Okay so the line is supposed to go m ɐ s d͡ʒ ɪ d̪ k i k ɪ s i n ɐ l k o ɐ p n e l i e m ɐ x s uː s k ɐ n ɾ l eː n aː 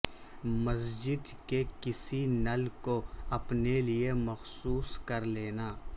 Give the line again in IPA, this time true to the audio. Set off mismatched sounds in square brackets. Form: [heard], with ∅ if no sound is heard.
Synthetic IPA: m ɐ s d͡ʒ ɪ d̪ k [e] k ɪ s i n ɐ l k o ɐ p n e l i e m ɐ x s uː s k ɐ [∅] ɾ l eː n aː